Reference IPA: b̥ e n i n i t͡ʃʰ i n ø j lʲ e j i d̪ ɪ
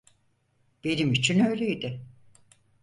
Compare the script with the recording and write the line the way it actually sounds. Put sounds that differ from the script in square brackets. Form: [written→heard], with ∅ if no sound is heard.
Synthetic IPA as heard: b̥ e n i [n→m] i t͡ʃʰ i n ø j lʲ e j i d̪ ɪ